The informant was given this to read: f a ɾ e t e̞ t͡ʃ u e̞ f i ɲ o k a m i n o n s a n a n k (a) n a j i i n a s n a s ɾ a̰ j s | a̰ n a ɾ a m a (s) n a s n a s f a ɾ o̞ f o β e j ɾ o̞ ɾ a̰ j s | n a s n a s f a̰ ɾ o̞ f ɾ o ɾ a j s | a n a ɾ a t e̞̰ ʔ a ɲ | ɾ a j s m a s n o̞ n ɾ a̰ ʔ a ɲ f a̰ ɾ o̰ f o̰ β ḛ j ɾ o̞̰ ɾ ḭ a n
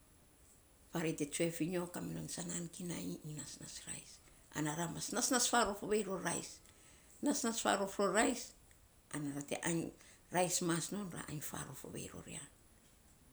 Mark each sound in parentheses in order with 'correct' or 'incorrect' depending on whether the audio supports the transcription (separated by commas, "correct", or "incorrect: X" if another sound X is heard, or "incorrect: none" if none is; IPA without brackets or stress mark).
incorrect: i, correct